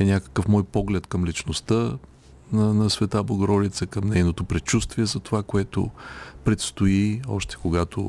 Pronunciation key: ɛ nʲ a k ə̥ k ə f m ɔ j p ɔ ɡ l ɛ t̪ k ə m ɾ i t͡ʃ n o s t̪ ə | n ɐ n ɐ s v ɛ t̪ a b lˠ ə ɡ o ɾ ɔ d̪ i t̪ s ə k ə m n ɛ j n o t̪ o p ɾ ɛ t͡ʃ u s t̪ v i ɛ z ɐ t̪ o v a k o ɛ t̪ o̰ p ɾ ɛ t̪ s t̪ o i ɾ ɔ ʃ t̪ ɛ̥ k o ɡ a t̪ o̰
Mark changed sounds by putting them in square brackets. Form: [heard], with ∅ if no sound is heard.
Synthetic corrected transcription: ɛ nʲ a k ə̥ k ə f m ɔ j p ɔ ɡ l ɛ t̪ k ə m [l] i t͡ʃ n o s t̪ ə | n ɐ n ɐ s v ɛ t̪ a b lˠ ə ɡ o ɾ ɔ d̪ i t̪ s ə k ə m n ɛ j n o t̪ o p ɾ ɛ t͡ʃ u s t̪ v i ɛ z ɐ t̪ o v a k o ɛ t̪ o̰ p ɾ ɛ t̪ s t̪ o i [∅] ɔ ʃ t̪ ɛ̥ k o ɡ a t̪ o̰